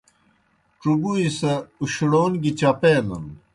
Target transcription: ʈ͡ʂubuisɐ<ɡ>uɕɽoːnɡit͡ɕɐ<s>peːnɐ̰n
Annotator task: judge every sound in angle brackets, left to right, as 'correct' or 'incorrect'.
incorrect: none, incorrect: none

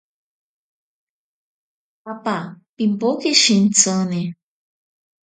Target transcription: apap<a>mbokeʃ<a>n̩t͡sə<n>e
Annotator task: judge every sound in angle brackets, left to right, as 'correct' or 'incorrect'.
incorrect: i, incorrect: i, correct

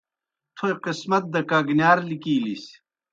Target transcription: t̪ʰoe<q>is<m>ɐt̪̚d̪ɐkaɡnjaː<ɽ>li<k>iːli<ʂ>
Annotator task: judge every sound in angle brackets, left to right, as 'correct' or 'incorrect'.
correct, correct, incorrect: ɾ, correct, incorrect: s

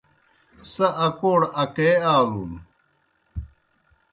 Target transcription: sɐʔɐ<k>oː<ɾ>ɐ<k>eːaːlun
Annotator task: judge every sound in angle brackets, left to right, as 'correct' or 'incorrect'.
correct, incorrect: ɽ, correct

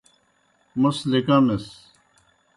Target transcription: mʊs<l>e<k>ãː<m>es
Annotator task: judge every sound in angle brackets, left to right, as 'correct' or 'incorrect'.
correct, correct, correct

